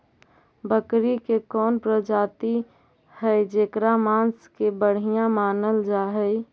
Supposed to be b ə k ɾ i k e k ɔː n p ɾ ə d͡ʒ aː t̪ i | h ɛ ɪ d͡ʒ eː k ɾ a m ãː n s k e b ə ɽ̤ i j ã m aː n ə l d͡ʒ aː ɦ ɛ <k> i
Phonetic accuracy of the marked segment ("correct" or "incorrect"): incorrect